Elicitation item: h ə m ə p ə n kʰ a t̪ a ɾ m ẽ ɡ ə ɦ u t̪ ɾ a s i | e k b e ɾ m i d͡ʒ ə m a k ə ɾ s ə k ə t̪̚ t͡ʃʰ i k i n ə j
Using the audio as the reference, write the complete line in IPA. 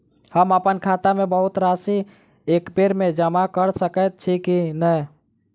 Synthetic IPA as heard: h ə m ə p ə n kʰ a t̪ a m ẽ b ə ɦ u t̪ ɾ a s i | e k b e ɾ m e d͡ʒ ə m a k ə ɾ s ə k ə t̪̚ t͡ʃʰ i k i n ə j